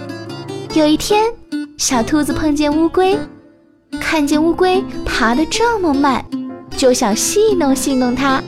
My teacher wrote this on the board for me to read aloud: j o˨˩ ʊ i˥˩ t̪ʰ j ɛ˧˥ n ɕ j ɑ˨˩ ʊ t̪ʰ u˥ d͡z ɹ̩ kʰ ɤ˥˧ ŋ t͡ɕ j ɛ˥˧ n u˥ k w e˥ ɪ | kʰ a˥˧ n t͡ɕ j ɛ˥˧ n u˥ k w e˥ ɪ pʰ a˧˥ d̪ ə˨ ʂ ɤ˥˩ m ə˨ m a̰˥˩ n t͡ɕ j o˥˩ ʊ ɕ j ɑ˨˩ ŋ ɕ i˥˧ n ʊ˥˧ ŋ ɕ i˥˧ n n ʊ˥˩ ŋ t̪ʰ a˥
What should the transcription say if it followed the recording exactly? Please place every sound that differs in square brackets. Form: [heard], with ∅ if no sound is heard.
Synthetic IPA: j o˨˩ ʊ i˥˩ t̪ʰ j [ɛ˥] n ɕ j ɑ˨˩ ʊ t̪ʰ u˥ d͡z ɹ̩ [pʰ] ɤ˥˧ ŋ t͡ɕ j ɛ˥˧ n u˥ k w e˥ ɪ | kʰ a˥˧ n t͡ɕ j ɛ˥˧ n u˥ k w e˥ ɪ pʰ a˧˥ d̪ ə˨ [ʈ͡ʂ] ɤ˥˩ m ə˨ m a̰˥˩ n t͡ɕ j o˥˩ ʊ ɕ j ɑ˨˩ ŋ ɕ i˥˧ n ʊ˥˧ ŋ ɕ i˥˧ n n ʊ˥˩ ŋ t̪ʰ a˥